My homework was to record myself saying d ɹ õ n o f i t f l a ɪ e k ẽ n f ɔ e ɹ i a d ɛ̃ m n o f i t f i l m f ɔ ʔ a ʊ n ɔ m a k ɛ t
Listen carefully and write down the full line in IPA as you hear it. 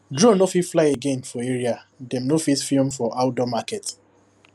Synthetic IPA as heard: d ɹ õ n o f i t f l a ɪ e ɡ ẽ n f ɔ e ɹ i a d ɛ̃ m n o f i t f i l m f ɔ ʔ a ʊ d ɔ m a k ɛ t

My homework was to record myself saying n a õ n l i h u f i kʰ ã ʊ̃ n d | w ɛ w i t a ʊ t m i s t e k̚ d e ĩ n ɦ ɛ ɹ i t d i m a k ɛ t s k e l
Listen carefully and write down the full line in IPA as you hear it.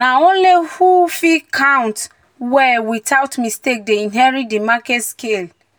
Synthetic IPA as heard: n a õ n l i h u f i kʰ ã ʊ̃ n t | w ɛ w i t a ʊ t m i s t e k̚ d e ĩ n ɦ ɛ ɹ i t d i m a k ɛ t s k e l

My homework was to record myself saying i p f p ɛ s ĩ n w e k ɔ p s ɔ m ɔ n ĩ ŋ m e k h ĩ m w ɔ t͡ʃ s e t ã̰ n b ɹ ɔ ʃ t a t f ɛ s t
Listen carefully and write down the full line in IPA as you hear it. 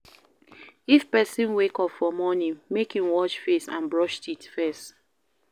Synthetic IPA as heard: i f p ɛ s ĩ n w e k ɔ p f ɔ m ɔ n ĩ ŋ m e k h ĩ m w ɔ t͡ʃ f e s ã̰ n b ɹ ɔ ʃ t i t f ɛ s t

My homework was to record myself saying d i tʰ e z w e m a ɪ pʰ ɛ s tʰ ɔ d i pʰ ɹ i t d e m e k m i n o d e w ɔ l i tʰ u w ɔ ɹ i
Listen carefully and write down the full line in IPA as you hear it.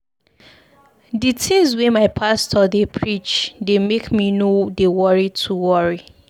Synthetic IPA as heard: d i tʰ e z w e m a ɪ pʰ a s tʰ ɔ d e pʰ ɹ i t͡ʃ d e m e k m i n o d e w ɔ ɹ i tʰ u w ɔ ɹ i

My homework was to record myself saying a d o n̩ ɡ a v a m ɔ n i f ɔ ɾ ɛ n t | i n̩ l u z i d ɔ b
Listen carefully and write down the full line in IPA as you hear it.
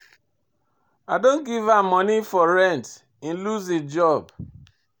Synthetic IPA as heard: a d o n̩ ɡ i v a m ɔ n i f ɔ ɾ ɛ n t | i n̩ l u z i d͡ʒ ɔ b

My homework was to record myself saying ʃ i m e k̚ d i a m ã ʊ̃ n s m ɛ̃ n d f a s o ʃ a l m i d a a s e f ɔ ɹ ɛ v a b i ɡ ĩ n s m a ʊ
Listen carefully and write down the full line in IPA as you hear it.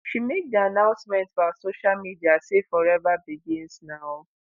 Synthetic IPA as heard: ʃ i m e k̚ d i a n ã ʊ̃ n s m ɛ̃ n t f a s o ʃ a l m i d i a s e f ɔ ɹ ɛ v a b i ɡ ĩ n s n a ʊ

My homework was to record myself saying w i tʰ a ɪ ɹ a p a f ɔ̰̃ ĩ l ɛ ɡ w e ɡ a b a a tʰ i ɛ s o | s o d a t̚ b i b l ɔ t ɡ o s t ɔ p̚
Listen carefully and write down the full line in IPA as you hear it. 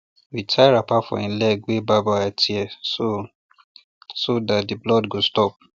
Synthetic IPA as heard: w i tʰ a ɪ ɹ a p a f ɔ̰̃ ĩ l ɛ ɡ w e b a b a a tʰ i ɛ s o | s o d a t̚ d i b l ɔ d ɡ o s t ɔ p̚

